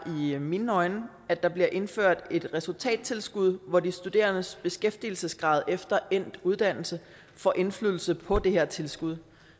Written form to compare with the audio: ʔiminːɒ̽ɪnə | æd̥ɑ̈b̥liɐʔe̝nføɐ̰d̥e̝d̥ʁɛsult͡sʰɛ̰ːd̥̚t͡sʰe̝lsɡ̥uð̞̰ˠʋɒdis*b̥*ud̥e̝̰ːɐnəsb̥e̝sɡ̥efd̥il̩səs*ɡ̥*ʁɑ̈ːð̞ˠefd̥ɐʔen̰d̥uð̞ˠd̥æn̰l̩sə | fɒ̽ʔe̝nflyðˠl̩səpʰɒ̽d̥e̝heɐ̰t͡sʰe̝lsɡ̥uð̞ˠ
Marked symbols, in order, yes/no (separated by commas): no, yes